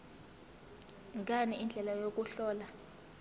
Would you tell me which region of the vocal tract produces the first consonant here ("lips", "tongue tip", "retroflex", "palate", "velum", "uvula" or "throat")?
velum